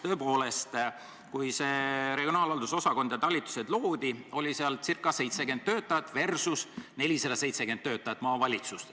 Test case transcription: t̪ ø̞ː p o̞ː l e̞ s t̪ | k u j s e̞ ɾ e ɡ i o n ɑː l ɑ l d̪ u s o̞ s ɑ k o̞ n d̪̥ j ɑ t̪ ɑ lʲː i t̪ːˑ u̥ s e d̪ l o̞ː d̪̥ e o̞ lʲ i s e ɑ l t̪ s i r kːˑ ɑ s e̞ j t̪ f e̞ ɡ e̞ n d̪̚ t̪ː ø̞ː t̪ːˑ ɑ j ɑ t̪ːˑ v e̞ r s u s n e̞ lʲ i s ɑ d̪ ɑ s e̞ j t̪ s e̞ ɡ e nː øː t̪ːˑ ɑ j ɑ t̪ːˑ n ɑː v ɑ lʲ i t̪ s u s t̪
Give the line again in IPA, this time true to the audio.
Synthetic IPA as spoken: t̪ ø̞ː p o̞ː l e̞ s t̪ | k u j s e̞ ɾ e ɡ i o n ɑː l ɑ l d̪ u s o̞ s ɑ k o̞ n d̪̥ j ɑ t̪ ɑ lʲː i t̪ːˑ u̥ s e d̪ l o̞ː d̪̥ i o̞ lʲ i s e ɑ l t̪ s i r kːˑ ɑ s e̞ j t̪ s e̞ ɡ e̞ n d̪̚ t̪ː ø̞ː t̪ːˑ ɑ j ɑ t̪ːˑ v e̞ r s u s n e̞ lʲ i s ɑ d̪ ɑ s e̞ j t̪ s e̞ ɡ e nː øː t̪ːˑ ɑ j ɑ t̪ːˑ m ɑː v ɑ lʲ i t̪ s u s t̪